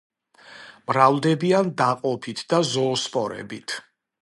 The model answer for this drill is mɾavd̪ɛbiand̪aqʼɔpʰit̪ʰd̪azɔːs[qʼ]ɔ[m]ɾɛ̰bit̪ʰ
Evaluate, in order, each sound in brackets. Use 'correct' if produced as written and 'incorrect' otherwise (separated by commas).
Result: incorrect, incorrect